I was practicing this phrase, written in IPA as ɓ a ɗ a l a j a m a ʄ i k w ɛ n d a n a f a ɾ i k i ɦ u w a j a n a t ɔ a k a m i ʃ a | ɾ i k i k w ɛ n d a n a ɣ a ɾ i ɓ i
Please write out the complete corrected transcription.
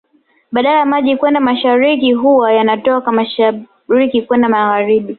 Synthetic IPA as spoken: ɓ a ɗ a l a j a m a ʄ i k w ɛ n d a m a ʃ a ɾ i k i ɦ u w a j a n a t ɔ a k a m a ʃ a | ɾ i k i k w ɛ n d a m a ɣ a ɾ i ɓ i